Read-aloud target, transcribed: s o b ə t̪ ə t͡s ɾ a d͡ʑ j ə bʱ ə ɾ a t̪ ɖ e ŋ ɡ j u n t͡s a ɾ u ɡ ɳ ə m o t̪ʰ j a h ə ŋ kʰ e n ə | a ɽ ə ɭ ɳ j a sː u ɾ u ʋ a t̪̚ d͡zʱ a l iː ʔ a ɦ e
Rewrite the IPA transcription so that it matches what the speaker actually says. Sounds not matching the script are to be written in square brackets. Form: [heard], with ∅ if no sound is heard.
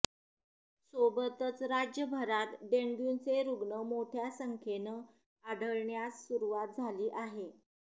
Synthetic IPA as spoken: s o b ə t̪ ə t͡s ɾ a d͡ʑ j ə bʱ ə ɾ a t̪ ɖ e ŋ ɡ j u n t͡s [e] ɾ u ɡ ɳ ə m o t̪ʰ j a [s] ə ŋ kʰ e n ə | a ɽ ə ɭ ɳ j a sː u ɾ u ʋ a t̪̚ d͡zʱ a l iː ʔ a ɦ e

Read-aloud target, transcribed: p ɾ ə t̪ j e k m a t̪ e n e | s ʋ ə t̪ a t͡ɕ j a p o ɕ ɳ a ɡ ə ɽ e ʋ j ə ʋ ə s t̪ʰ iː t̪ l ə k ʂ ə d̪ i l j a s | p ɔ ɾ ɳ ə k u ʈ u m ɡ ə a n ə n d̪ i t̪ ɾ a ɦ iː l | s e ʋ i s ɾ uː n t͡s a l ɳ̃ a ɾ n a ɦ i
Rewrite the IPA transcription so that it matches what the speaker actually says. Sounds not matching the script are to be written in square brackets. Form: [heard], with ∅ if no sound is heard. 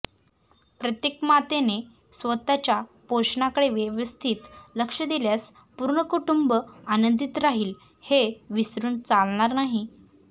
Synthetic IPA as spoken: p ɾ ə t̪ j e k m a t̪ e n e | s ʋ ə t̪ a t͡ɕ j a p o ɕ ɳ a [k] ə ɽ e ʋ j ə ʋ ə s t̪ʰ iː t̪ l ə k ʂ ə d̪ i l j a s | p [u] ɾ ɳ ə k u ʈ u m [b] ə a n ə n d̪ i t̪ ɾ a ɦ iː l | [h] e ʋ i s ɾ uː n t͡s a l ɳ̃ a ɾ n a ɦ i

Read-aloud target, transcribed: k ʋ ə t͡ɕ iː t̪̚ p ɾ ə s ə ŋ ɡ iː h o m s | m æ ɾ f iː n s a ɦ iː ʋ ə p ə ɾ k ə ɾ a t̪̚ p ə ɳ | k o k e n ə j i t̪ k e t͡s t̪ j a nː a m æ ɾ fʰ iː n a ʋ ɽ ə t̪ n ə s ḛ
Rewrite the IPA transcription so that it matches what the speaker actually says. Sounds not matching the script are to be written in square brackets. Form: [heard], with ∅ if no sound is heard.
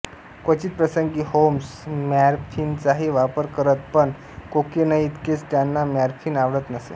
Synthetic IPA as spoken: k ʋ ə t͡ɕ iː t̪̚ p ɾ ə s ə ŋ ɡ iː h o m s | m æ ɾ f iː n [t͡s] a ɦ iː ʋ [a] p ə ɾ k ə ɾ [ə] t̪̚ p ə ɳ | k o k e n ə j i t̪ k e t͡s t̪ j a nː a m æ ɾ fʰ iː n a ʋ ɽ ə t̪ n ə s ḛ

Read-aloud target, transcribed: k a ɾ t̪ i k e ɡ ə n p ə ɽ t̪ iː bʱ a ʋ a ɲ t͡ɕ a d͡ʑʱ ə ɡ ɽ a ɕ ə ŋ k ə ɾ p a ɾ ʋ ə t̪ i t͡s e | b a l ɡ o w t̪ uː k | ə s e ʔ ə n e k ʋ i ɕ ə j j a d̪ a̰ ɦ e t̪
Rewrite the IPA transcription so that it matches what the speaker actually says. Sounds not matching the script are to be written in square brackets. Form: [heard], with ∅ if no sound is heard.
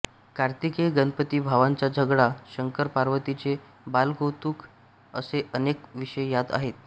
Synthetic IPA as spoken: k a ɾ t̪ i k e ɡ ə n p ə [∅] t̪ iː bʱ a ʋ a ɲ t͡ɕ a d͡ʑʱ ə ɡ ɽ a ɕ ə ŋ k ə ɾ p a ɾ ʋ ə t̪ i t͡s e | b a l ɡ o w t̪ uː k | ə s e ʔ ə n e k ʋ i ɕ ə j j a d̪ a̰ ɦ e t̪

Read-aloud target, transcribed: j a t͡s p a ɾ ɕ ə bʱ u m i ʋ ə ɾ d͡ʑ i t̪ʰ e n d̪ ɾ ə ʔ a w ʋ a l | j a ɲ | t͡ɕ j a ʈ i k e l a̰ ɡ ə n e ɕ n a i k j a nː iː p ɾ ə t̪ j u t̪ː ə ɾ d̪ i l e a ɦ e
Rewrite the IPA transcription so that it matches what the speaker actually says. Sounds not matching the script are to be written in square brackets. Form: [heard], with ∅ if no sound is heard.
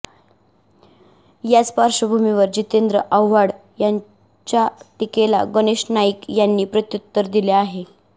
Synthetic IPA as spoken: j a t͡s p a ɾ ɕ ə bʱ u m i ʋ ə ɾ d͡ʑ i [t̪] e n d̪ ɾ ə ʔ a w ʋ a [ɽ] | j a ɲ | t͡ɕ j a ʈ i k e l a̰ ɡ ə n e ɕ n a i k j a nː iː p ɾ ə t̪ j u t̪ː ə ɾ d̪ i l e a ɦ e

